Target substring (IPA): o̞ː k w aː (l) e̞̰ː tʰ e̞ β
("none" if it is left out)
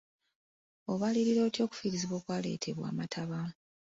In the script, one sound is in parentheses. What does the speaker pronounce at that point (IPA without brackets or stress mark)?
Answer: l